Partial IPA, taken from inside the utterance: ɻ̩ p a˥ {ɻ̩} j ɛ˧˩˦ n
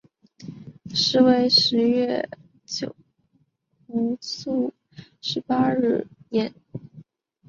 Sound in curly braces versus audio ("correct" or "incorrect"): correct